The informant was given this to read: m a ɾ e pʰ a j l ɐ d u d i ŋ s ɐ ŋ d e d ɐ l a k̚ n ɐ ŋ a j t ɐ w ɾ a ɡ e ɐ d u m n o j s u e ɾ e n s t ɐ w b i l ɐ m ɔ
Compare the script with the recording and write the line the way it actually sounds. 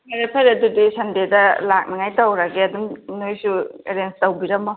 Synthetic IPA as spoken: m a ɾ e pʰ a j ɾ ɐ d u d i s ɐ n d e d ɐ l a k̚ n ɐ ŋ a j t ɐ w ɾ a ɡ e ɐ d u m n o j s u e ɾ e n s t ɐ w b i ɾ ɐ m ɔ